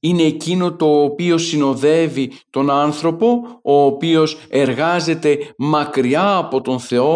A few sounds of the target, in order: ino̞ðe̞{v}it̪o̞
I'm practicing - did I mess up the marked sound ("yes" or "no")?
no